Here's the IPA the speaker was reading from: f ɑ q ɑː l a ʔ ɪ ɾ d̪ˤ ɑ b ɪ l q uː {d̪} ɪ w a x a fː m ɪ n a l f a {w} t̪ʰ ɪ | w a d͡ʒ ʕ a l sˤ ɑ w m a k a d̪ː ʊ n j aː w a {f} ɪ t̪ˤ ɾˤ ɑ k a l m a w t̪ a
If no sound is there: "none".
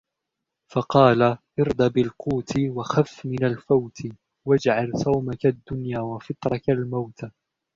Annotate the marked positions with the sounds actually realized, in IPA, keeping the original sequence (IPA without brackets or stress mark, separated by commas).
t̪, w, f